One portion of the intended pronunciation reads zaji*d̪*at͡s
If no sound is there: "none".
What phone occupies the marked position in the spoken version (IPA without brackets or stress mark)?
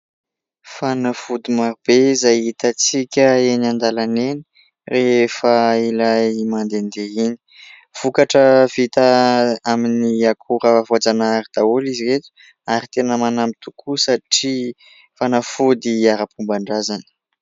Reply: t̪